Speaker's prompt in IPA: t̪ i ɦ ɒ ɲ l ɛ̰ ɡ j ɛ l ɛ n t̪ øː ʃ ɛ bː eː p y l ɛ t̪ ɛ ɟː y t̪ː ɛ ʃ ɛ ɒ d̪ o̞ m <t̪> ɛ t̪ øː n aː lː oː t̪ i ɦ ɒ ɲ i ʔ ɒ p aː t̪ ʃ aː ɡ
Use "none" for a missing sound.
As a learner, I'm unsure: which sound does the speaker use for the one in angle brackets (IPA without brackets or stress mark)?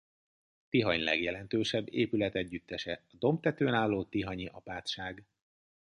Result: t̪